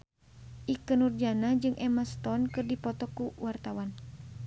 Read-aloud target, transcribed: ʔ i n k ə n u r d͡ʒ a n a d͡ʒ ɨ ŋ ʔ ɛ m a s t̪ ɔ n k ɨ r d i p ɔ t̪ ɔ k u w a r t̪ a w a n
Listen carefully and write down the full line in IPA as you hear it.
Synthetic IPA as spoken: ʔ i k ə n u r d͡ʒ a n a d͡ʒ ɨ ŋ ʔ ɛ m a s t̪ ɔ n k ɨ r d i p ɔ t̪ ɔ k u w a r t̪ a w a n